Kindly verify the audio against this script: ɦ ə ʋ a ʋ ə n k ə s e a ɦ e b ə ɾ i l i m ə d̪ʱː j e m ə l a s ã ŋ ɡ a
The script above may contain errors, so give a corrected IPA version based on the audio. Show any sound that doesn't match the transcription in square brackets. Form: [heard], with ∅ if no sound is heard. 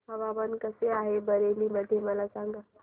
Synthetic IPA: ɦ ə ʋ a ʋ ə n k ə s e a ɦ e b ə ɾ [e] l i m ə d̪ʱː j e m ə l a s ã ŋ ɡ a